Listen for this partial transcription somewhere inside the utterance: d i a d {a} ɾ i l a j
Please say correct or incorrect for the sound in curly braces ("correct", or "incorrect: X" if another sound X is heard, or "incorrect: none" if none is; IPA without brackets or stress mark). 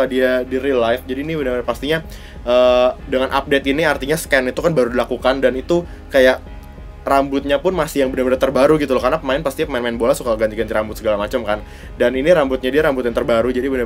incorrect: i